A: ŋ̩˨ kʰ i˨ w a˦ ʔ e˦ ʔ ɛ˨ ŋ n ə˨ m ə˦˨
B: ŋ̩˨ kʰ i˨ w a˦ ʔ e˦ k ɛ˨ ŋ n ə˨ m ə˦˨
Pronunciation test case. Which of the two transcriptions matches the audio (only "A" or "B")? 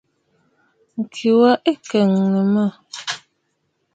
B